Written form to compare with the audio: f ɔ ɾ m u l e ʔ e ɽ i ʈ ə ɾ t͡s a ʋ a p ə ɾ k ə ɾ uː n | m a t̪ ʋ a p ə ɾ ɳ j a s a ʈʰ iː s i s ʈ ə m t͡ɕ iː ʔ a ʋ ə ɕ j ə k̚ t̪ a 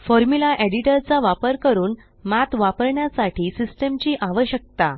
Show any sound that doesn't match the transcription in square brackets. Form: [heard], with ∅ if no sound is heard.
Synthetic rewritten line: f ɔ ɾ m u l [a] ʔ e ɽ i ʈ ə ɾ t͡s a ʋ a p ə ɾ k ə ɾ uː n | m a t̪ ʋ a p ə ɾ ɳ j a s a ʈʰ iː s i s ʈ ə m t͡ɕ iː ʔ a ʋ ə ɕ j ə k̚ t̪ a